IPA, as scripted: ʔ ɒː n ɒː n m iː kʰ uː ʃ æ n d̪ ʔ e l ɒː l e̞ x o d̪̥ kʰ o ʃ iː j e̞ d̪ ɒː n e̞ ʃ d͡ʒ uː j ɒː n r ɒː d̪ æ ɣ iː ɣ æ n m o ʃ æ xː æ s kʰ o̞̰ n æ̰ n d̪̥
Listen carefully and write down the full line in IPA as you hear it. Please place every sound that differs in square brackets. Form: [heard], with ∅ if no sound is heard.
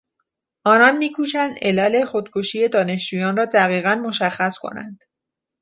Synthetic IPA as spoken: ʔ ɒː n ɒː n m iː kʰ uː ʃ æ n d̪ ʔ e l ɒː l e̞ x o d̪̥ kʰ o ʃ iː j e̞ d̪ ɒː n e̞ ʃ d͡ʒ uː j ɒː n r ɒː d̪ æ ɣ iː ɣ æ n m o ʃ æ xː æ s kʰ o̞̰ n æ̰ n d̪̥